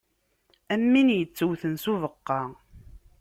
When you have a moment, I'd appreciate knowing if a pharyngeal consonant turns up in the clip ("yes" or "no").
no